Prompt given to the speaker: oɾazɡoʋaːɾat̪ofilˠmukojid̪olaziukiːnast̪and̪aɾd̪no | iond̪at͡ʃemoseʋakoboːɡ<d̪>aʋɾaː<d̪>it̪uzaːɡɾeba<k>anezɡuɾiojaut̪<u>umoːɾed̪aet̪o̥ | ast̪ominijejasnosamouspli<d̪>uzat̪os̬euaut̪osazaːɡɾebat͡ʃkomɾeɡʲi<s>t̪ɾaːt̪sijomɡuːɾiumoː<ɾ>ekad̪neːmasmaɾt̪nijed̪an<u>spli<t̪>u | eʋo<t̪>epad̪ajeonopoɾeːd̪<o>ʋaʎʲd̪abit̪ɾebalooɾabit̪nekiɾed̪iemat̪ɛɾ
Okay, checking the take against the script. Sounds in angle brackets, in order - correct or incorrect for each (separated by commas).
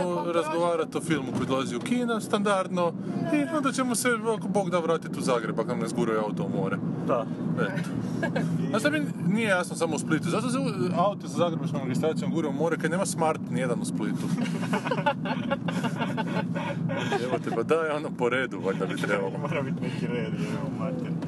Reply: correct, incorrect, correct, incorrect, incorrect, correct, correct, correct, correct, correct, incorrect